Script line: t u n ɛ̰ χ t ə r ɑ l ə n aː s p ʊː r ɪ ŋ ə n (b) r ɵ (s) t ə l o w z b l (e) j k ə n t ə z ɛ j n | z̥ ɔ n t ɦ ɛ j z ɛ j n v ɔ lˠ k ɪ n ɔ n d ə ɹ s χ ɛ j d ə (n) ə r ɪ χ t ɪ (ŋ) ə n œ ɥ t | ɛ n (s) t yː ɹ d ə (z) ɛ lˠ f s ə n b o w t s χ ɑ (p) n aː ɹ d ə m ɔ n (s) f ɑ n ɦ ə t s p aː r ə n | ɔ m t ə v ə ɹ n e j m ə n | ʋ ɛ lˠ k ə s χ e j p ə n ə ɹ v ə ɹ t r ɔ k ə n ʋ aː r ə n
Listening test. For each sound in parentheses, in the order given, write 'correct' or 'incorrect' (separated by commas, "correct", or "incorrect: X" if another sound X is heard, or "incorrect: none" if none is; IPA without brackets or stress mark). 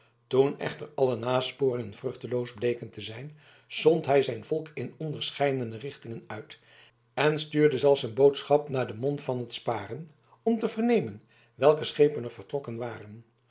incorrect: v, incorrect: χ, correct, correct, correct, correct, correct, correct, incorrect: t